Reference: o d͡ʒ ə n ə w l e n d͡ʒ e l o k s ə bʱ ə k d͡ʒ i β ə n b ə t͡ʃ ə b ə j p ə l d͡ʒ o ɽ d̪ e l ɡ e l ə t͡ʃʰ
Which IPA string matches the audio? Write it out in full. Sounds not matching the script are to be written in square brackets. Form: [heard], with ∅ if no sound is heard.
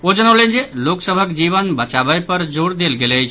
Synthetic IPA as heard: o d͡ʒ ə n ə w l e n d͡ʒ e l o k s ə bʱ ə k d͡ʒ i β ə n b ə t͡ʃ [a] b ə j p ə [ɾ] d͡ʒ o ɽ d̪ e l ɡ e l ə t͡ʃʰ